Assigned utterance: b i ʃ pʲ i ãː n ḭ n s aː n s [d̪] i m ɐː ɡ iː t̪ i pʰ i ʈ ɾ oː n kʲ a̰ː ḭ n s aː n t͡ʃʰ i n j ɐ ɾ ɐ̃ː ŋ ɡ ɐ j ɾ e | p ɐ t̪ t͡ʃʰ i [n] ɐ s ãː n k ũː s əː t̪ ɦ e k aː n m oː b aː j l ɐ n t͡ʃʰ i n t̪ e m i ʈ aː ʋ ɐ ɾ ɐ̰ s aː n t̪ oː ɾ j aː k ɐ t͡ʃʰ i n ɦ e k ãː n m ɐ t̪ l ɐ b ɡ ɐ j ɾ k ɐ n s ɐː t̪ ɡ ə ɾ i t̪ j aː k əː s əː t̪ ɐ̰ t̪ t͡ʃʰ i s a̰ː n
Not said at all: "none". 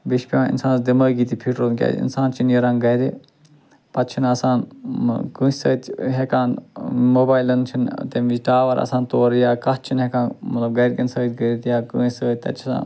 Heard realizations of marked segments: d̪, n

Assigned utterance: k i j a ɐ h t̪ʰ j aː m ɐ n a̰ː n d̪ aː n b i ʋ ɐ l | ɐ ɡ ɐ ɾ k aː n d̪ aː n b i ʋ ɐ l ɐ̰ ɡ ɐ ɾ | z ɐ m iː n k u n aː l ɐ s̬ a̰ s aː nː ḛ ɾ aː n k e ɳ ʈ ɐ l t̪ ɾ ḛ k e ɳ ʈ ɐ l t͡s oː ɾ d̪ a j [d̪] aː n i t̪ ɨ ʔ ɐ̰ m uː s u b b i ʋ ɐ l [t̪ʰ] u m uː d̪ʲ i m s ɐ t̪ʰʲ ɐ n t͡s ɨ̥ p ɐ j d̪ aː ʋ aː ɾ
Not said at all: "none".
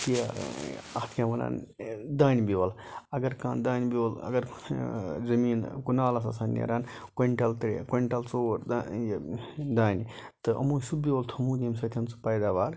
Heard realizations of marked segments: d̪, t̪ʰ

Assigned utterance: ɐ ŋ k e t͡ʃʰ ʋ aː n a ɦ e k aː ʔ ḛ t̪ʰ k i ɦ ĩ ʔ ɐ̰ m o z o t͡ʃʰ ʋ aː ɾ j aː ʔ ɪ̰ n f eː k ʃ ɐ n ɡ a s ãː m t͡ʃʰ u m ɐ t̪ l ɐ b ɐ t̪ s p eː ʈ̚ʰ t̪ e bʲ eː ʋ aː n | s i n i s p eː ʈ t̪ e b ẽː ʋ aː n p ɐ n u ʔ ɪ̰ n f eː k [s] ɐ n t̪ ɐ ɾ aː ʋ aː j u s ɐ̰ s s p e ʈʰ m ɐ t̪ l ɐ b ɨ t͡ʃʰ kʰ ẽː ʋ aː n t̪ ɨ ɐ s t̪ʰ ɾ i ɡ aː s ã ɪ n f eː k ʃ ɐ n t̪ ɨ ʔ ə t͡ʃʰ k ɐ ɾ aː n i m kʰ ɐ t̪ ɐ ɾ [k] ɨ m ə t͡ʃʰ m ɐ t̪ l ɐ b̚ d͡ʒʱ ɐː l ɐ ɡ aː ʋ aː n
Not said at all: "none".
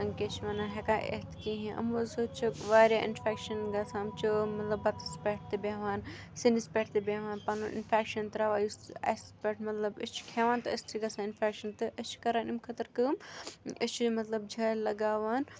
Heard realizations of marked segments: ʃ, k

